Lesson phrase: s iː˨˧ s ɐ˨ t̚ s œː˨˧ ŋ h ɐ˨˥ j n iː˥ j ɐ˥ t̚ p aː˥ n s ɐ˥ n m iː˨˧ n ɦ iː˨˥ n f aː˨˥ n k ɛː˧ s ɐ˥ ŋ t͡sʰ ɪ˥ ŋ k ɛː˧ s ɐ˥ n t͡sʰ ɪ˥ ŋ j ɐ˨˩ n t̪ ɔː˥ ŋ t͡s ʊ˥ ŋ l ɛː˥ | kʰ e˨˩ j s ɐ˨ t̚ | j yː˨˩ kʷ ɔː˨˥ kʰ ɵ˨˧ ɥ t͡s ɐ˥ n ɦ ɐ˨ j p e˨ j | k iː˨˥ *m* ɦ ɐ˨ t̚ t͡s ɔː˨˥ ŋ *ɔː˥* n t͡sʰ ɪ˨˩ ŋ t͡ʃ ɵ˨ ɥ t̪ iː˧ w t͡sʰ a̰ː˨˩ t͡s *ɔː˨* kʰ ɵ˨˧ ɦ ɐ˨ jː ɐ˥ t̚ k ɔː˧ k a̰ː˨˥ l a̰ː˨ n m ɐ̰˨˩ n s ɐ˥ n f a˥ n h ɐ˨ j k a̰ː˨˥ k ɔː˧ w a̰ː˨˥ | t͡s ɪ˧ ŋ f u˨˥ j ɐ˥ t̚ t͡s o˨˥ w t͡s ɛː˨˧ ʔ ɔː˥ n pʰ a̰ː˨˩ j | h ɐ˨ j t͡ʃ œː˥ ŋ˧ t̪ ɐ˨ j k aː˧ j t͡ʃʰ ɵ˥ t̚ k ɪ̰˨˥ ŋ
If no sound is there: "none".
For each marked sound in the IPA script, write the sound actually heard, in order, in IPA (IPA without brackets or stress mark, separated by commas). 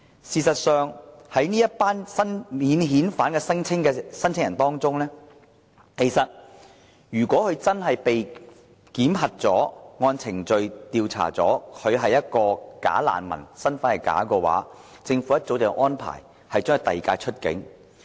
m, ɔː˧, ɔː˨˥